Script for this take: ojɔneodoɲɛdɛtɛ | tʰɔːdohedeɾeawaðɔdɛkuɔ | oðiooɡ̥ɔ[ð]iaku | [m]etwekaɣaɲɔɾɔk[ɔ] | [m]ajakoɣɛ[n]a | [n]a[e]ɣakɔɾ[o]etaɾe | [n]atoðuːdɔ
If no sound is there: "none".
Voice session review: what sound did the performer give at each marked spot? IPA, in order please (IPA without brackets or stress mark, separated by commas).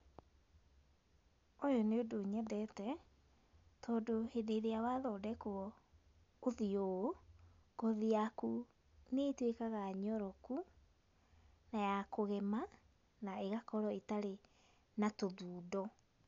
ð, n, u, n, m, n, e, ɔ, n